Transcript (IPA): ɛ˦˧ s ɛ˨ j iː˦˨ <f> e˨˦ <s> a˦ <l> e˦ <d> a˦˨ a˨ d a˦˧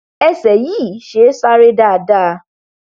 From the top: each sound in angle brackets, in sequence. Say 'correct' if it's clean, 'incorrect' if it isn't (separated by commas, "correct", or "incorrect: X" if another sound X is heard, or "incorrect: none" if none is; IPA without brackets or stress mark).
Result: incorrect: ʃ, correct, incorrect: ɾ, correct